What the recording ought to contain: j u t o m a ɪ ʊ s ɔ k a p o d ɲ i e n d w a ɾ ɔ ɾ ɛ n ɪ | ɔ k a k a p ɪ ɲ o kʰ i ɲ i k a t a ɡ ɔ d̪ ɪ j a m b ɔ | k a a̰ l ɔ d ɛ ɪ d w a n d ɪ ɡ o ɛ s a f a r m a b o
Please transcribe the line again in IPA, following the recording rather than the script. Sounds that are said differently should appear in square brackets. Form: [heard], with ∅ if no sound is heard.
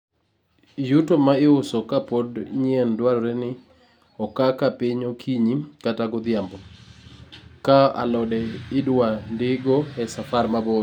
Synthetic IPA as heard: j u t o m a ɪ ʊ s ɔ k a p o d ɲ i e n d w a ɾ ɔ ɾ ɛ n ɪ | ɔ k a k a p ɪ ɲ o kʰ i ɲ i k a t a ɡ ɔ d̪ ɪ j a m b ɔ | k a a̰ l ɔ d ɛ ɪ d w a n d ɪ ɡ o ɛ s a f a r m a b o